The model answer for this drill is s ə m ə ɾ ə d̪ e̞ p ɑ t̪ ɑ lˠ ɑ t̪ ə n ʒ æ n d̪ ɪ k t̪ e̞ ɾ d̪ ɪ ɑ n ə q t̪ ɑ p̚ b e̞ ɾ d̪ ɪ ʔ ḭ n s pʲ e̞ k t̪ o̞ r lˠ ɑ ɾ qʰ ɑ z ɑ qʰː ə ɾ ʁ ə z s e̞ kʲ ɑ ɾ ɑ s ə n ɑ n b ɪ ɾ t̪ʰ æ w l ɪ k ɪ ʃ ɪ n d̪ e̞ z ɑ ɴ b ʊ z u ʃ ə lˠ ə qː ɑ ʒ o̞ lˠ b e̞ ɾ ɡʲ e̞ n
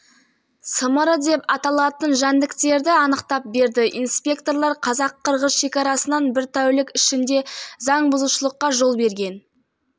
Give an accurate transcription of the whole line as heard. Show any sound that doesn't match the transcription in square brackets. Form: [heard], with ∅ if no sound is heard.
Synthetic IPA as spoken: s ə m ə ɾ ə d̪ e̞ p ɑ t̪ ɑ lˠ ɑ t̪ ə n ʒ æ n d̪ ɪ k t̪ e̞ ɾ d̪ ɪ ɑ n ə q t̪ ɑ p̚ b e̞ ɾ d̪ ɪ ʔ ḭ n s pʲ e̞ k t̪ o̞ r lˠ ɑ ɾ qʰ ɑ z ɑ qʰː ə ɾ ʁ ə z [ʃ] e̞ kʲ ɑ ɾ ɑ s ə n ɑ n b ɪ ɾ t̪ʰ æ w l ɪ k ɪ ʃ ɪ n d̪ e̞ z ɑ ɴ b ʊ z u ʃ ə lˠ ə qː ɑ ʒ o̞ lˠ b e̞ ɾ ɡʲ e̞ n